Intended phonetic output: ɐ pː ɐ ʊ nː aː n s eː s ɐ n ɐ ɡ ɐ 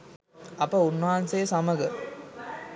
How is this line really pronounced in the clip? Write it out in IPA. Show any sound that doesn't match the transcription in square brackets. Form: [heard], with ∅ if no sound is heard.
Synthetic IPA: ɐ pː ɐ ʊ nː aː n s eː s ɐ [m] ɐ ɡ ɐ